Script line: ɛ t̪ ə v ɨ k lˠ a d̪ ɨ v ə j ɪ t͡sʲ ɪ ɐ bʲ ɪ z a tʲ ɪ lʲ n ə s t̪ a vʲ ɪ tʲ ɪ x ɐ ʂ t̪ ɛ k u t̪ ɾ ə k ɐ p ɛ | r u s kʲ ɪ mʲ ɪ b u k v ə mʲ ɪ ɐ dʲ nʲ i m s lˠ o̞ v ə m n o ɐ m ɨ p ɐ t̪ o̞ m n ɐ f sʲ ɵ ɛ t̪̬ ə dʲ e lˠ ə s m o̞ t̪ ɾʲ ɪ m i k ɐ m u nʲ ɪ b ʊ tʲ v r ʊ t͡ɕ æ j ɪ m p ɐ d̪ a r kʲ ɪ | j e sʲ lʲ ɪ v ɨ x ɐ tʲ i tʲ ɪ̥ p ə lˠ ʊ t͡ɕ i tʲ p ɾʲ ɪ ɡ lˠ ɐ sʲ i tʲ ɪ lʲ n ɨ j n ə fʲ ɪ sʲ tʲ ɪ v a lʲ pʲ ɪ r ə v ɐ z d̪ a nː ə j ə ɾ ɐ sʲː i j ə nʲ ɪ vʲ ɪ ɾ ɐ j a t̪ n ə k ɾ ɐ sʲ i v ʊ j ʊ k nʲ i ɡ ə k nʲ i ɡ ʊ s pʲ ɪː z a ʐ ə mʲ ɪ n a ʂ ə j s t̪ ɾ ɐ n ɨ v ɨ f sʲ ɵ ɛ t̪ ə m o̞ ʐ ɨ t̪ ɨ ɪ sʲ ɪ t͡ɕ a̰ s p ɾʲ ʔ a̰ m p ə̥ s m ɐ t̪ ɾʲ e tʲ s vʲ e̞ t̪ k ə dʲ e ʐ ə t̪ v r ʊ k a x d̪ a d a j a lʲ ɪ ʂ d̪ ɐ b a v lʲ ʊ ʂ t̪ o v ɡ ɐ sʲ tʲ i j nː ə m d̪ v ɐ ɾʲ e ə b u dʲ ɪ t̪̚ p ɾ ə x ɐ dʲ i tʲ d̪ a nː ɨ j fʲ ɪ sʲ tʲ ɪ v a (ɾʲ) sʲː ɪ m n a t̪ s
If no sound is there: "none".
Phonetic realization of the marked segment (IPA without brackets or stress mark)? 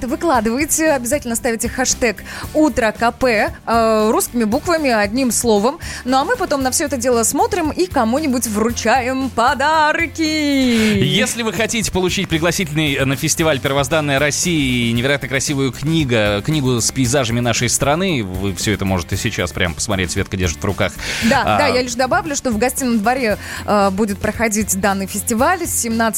lʲ